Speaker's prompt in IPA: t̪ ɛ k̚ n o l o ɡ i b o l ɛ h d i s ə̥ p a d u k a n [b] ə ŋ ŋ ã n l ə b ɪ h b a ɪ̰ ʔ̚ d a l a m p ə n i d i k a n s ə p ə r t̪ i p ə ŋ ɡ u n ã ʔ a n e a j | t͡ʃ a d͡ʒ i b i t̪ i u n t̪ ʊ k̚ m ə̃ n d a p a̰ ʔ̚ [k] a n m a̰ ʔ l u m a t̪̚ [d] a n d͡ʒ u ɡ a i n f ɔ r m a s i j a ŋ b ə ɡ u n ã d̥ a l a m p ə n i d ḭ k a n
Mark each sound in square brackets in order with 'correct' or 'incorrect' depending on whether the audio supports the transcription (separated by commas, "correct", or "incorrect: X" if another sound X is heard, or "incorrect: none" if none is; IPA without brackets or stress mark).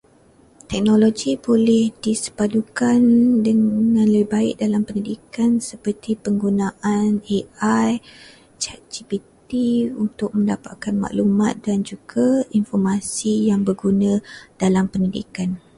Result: incorrect: d, correct, correct